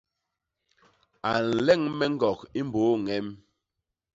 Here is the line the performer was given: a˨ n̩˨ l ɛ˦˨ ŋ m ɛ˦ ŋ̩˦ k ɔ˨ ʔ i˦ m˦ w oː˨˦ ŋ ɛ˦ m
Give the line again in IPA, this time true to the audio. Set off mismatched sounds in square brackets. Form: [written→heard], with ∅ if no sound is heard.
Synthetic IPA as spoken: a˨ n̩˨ l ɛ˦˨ ŋ m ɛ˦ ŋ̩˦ [k→ɡ] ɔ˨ [ʔ→k] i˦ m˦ [w→b] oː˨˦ ŋ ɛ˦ m